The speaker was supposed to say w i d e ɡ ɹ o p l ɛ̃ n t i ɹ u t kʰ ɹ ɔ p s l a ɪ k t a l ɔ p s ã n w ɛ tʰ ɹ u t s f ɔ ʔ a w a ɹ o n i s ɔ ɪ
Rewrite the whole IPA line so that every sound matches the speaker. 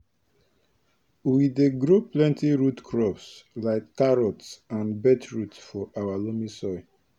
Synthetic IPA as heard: w i d e ɡ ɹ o p l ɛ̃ n t i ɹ u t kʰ ɹ ɔ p s l a ɪ k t a ɹ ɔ t s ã n b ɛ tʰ ɹ u t s f ɔ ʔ a w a l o m i s ɔ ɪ